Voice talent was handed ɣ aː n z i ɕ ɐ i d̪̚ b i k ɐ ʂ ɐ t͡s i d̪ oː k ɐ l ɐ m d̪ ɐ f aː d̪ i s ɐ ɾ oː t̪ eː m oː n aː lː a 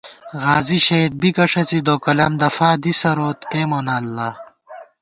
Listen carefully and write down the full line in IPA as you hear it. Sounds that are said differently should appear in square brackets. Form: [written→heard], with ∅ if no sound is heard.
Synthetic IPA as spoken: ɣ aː [n→∅] z i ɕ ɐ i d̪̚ b i k ɐ ʂ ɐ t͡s i d̪ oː k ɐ l ɐ m d̪ ɐ f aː d̪ i s ɐ ɾ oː t̪ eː m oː n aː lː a